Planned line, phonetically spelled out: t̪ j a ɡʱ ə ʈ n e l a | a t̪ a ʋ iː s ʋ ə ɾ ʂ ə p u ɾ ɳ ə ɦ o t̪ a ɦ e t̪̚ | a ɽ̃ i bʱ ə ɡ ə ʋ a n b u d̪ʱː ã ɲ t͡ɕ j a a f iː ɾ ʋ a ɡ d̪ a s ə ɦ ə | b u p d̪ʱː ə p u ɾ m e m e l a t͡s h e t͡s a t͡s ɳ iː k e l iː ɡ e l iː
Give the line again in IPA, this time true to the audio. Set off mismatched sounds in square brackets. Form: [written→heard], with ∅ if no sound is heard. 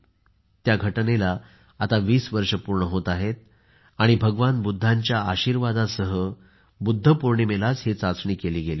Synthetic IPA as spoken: t̪ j a ɡʱ ə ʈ n e l a | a t̪ a ʋ iː s ʋ ə ɾ ʂ ə p u ɾ ɳ ə ɦ o t̪ a ɦ e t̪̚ | a ɽ̃ i bʱ ə ɡ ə ʋ a n b u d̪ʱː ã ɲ t͡ɕ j a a [f→ɕ] iː ɾ ʋ a [ɡ→∅] d̪ a s ə ɦ ə | b u [p→∅] d̪ʱː ə p u ɾ [m→ɳ] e m e l a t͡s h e t͡s a t͡s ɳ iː k e l iː ɡ e l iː